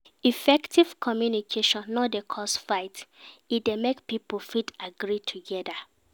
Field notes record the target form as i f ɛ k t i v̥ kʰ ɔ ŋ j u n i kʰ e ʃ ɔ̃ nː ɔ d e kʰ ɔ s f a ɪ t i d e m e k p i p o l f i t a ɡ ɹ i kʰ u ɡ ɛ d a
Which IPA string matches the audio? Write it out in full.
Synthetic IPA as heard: i f ɛ k t i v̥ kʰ ɔ m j u n i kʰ e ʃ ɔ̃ nː ɔ d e kʰ ɔ s f a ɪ t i d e m e k p i p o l f i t a ɡ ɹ i tʰ u ɡ ɛ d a